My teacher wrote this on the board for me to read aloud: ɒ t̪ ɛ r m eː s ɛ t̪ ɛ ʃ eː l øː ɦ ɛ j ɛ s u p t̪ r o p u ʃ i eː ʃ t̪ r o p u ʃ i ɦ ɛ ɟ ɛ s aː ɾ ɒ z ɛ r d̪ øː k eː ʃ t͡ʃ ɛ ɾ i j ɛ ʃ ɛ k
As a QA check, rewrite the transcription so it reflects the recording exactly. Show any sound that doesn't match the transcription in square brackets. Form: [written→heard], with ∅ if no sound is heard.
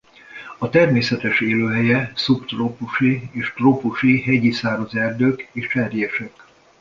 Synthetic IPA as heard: ɒ t̪ ɛ r m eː s ɛ t̪ ɛ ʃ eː l øː ɦ ɛ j ɛ s u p t̪ r o p u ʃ i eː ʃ t̪ r o p u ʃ i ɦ ɛ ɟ [ɛ→i] s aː ɾ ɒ z ɛ r d̪ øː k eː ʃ t͡ʃ ɛ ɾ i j ɛ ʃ ɛ k